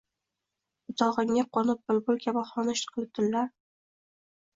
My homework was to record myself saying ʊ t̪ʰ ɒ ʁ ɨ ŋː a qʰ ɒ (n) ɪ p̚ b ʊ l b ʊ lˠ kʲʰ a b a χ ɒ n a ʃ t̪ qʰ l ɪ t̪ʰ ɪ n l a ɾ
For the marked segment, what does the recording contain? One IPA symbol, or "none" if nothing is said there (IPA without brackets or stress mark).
n